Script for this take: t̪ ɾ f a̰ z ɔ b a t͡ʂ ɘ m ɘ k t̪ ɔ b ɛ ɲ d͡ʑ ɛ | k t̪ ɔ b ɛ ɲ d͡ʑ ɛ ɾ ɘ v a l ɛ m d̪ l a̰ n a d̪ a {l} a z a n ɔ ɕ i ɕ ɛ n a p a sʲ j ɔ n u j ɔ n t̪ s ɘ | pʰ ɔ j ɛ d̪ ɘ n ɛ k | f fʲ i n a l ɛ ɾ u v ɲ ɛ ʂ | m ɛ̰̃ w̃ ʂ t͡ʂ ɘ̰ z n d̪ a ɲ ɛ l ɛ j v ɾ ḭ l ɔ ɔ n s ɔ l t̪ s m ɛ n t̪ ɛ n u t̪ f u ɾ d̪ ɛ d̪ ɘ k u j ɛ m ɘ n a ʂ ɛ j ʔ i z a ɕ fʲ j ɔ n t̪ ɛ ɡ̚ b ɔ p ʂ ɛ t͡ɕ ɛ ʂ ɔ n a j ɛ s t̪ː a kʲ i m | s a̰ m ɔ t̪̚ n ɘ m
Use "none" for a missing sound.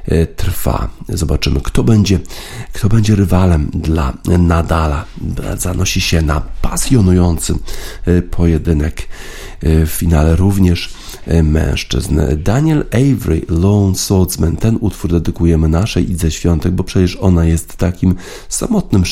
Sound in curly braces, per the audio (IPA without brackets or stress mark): l